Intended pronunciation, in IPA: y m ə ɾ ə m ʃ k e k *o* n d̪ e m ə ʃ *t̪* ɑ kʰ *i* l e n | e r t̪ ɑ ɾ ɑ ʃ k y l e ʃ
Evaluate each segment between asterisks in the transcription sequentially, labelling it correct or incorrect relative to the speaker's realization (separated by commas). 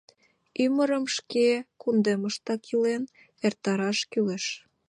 incorrect, correct, correct